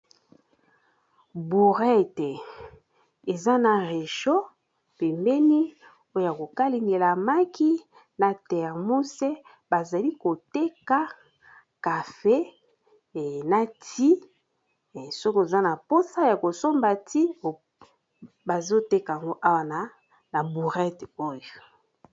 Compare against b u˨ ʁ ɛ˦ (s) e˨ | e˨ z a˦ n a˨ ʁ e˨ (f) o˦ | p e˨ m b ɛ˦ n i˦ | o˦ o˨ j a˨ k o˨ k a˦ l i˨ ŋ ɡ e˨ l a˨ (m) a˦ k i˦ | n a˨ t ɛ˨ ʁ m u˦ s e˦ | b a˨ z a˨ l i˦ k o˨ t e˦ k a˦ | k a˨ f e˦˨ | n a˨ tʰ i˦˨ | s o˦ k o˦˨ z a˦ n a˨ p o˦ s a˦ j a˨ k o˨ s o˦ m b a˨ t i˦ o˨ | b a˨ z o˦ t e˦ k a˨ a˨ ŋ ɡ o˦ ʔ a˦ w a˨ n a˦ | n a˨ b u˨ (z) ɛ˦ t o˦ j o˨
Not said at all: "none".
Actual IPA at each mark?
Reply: t, ʃ, m, ʁ

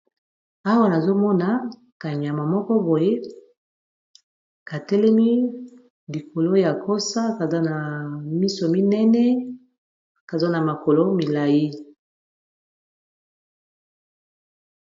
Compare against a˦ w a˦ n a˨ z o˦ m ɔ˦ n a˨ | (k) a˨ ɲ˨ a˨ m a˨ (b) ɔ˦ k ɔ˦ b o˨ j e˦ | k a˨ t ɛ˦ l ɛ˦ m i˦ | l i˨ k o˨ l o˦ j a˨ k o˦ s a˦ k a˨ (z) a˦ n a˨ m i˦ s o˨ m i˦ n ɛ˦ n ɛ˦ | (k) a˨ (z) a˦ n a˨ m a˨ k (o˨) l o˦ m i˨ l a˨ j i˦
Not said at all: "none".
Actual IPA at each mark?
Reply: k, m, z, k, z, o˨

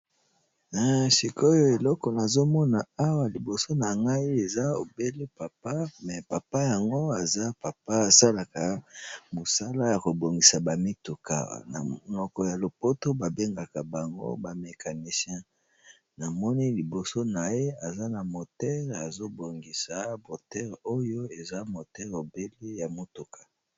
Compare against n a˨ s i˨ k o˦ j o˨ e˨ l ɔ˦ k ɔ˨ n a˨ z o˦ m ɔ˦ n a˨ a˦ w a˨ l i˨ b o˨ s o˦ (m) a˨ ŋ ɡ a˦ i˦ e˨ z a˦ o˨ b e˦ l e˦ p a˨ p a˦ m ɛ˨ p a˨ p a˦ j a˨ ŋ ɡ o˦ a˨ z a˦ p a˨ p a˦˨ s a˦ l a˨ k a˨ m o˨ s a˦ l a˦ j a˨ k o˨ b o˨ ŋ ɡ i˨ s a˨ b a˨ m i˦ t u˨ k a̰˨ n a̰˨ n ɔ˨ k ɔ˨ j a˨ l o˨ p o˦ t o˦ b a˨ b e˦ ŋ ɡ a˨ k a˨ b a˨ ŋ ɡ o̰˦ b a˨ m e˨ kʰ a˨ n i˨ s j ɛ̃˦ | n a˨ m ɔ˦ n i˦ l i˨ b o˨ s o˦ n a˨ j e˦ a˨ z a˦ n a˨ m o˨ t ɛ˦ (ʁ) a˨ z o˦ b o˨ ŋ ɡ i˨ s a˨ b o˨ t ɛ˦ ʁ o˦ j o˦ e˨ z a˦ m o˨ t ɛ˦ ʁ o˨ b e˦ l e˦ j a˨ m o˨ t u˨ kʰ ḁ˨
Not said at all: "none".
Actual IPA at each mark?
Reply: n, ʁ

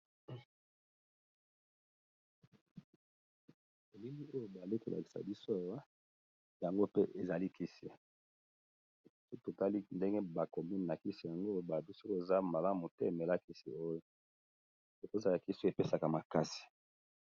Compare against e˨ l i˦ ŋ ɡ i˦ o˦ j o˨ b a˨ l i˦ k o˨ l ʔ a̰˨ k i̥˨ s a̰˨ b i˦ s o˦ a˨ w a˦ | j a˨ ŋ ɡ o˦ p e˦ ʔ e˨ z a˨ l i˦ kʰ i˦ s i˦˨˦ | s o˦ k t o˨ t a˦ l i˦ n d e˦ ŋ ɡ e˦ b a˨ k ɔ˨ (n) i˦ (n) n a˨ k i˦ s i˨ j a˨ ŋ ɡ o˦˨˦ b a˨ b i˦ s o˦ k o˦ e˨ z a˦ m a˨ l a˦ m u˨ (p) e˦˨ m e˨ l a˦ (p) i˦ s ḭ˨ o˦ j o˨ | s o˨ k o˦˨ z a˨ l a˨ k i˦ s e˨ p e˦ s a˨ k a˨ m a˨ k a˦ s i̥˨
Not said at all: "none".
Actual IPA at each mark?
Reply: m, n, t, k

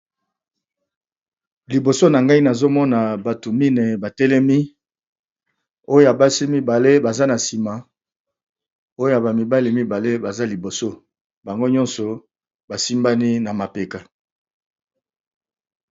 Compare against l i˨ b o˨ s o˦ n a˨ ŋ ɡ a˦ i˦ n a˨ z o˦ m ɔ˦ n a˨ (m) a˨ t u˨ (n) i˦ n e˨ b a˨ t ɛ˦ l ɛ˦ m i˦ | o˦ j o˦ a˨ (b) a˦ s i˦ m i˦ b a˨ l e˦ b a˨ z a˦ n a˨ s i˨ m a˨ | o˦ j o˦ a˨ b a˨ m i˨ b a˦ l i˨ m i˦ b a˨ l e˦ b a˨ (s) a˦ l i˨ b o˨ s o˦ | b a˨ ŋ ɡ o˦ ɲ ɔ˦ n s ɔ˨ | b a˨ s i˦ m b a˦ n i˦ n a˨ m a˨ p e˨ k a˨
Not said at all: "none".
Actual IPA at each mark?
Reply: b, m, b, z

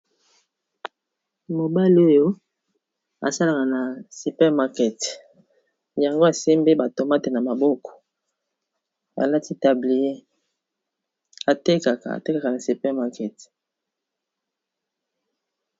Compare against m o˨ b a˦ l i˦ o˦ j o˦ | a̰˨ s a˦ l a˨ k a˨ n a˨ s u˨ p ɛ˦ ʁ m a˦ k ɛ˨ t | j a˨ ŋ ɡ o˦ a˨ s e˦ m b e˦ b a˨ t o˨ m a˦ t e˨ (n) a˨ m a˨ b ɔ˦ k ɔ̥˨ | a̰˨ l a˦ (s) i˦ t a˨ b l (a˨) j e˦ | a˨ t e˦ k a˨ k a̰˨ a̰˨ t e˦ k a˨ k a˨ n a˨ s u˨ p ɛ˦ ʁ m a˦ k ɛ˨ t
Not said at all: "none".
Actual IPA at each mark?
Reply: n, t, i˨

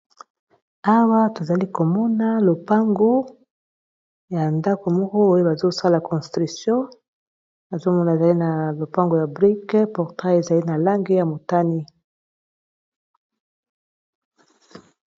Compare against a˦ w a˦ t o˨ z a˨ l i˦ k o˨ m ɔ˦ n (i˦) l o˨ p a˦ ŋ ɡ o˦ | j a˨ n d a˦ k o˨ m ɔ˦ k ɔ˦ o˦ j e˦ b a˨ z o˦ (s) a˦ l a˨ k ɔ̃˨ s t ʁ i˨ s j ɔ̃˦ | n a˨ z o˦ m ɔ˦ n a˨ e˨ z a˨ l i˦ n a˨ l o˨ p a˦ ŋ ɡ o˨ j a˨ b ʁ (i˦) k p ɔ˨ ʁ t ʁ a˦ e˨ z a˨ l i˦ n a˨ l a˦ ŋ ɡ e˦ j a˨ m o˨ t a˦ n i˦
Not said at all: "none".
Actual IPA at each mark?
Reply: a˦, s, i˦

